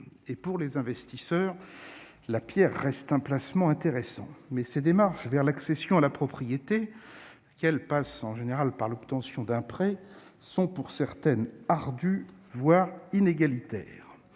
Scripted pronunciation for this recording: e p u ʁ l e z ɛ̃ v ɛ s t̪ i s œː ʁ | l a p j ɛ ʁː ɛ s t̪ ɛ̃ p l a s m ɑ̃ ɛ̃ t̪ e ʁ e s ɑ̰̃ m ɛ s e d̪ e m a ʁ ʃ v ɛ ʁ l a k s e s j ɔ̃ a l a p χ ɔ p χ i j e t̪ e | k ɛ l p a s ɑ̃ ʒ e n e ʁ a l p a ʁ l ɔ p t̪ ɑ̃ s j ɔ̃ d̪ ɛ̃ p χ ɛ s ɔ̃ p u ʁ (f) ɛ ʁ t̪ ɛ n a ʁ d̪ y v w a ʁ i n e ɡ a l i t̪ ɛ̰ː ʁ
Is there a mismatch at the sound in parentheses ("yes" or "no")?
yes